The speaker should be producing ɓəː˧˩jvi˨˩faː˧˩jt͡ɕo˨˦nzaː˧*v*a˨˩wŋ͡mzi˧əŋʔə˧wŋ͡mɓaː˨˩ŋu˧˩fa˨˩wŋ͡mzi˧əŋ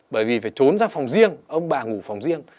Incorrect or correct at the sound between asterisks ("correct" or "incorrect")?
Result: incorrect